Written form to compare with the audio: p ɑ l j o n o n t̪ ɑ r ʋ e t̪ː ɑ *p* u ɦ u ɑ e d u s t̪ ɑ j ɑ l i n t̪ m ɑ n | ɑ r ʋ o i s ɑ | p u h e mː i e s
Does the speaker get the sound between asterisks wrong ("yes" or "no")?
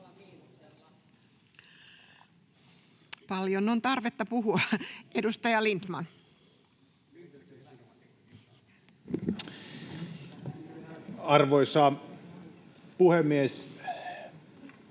no